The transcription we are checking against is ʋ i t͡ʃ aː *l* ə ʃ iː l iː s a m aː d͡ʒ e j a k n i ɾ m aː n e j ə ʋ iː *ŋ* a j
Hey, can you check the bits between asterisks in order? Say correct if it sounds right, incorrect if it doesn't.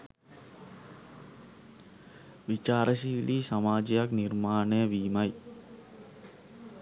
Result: incorrect: ɾ, incorrect: m

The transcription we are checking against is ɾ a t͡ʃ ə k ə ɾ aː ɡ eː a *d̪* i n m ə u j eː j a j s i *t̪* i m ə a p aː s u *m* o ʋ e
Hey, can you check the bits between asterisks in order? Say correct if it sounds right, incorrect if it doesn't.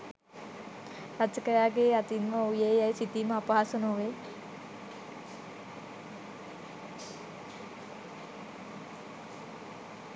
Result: incorrect: t̪, correct, incorrect: n

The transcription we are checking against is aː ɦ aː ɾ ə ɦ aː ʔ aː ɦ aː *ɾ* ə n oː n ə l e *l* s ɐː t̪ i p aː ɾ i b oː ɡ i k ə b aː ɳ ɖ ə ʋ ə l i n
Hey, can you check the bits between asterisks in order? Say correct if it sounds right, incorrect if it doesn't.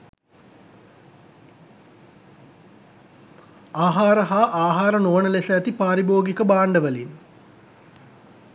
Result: correct, incorrect: none

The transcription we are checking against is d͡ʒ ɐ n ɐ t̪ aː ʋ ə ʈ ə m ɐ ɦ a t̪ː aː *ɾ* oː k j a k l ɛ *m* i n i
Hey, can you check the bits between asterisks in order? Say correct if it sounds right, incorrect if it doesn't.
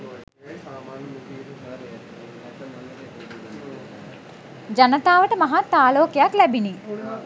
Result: incorrect: l, incorrect: b

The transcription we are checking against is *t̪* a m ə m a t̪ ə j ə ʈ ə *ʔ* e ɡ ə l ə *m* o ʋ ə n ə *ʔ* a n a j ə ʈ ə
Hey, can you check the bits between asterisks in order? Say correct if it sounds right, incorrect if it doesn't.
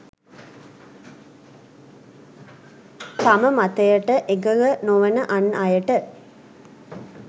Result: correct, correct, incorrect: n, correct

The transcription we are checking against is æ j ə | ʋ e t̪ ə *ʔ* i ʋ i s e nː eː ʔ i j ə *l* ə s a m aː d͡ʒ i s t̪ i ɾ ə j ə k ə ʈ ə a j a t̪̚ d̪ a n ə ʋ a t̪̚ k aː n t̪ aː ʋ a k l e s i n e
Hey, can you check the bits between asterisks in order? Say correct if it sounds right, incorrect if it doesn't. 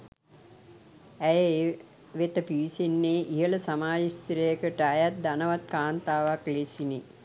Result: incorrect: p, correct

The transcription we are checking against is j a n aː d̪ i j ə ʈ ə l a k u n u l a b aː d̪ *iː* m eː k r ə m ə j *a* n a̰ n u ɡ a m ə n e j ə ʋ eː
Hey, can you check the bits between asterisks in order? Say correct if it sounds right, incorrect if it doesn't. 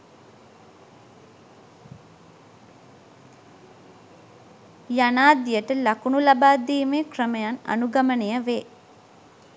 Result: correct, correct

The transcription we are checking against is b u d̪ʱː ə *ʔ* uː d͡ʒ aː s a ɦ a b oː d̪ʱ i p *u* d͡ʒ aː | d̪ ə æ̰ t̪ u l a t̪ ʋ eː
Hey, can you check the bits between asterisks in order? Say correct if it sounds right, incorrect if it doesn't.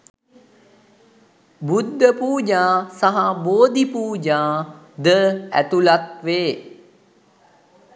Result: incorrect: p, incorrect: uː

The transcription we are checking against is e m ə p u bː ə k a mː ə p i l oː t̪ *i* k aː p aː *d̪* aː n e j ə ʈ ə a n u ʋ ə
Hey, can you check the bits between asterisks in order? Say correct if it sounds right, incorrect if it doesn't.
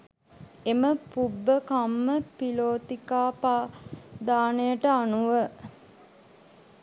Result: correct, correct

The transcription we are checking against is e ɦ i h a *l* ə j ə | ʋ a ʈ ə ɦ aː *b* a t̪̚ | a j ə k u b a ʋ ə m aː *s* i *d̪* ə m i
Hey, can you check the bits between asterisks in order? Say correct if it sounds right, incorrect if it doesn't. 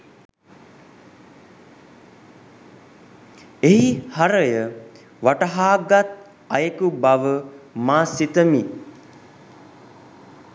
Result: incorrect: ɾ, incorrect: ɡ, correct, incorrect: t̪

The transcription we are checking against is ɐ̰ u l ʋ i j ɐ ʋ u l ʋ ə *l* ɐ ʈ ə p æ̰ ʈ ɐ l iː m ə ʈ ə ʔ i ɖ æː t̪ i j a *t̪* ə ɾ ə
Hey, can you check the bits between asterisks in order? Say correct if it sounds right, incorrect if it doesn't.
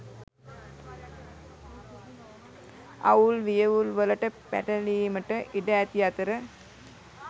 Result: correct, correct

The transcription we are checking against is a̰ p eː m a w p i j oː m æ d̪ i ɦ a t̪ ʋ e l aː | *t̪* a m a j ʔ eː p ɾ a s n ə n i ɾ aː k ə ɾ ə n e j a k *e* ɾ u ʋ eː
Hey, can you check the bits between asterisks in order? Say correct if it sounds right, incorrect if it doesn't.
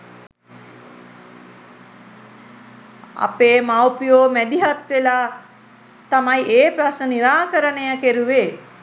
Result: correct, correct

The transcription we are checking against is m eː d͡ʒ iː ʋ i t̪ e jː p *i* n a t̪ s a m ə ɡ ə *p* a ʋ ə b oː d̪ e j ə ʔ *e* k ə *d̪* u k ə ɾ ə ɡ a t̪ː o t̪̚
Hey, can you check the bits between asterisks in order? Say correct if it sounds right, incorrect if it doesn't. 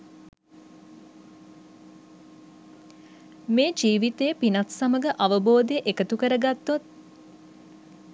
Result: correct, incorrect: ʔ, correct, incorrect: t̪

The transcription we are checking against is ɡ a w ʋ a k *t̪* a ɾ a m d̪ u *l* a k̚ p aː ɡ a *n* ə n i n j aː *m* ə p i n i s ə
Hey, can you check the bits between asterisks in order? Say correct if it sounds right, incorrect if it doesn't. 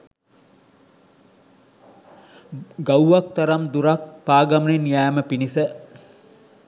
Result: correct, incorrect: ɾ, incorrect: m, correct

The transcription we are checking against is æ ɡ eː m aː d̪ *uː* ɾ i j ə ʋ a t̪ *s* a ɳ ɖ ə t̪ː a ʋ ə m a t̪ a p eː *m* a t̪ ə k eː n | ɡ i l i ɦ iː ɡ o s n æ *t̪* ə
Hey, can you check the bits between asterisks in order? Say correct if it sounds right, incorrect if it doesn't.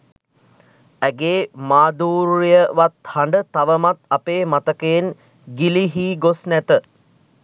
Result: correct, incorrect: h, correct, correct

